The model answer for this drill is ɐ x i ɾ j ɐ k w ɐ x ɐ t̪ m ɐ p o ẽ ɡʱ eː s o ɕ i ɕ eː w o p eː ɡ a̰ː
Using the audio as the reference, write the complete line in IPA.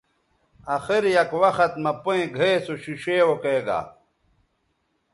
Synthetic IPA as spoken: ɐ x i ɾ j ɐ k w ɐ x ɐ t̪ m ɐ p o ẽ ɡʱ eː s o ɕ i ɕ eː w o k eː ɡ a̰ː